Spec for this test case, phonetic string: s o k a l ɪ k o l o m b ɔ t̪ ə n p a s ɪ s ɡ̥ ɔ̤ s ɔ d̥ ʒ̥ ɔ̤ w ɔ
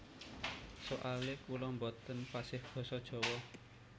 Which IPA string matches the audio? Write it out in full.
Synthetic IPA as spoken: s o ʔ a l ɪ k u l ɔ m b ɔ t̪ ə n p a s ɪ h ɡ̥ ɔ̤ s ɔ d̥ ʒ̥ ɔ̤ w ɔ